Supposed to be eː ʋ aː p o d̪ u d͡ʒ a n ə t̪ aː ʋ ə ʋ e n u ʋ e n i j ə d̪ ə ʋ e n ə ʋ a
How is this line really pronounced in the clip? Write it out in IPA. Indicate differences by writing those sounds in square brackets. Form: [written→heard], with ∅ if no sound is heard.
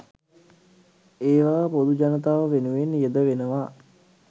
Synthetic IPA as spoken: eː ʋ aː p o d̪ u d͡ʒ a n ə t̪ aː ʋ ə ʋ e n u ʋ e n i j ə d̪ ə ʋ e n ə ʋ a